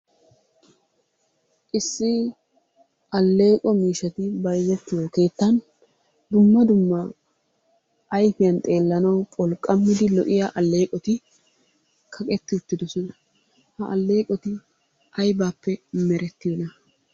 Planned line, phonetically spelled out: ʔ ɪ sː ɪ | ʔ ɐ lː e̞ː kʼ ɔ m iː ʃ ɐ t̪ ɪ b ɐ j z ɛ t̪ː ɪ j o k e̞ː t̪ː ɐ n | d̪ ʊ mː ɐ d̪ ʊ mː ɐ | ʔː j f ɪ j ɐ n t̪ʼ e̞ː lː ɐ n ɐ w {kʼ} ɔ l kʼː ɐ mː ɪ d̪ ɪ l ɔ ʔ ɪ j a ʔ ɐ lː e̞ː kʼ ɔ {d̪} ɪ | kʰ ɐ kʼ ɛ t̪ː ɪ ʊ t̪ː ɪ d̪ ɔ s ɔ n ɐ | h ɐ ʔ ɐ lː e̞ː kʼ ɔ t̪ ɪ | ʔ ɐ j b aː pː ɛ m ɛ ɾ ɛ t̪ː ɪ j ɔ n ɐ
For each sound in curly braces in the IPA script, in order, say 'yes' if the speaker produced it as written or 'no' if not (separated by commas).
no, no